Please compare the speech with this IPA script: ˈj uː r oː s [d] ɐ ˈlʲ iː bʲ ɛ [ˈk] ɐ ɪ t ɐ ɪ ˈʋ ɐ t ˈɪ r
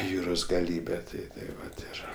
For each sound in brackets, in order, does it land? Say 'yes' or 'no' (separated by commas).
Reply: no, no